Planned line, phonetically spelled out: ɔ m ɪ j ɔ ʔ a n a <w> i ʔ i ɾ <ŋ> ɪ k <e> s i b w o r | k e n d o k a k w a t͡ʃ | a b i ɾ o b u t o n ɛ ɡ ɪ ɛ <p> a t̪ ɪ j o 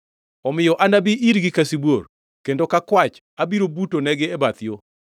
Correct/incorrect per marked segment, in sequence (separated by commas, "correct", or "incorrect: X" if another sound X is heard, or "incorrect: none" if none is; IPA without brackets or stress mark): incorrect: b, incorrect: ɡ, incorrect: a, incorrect: b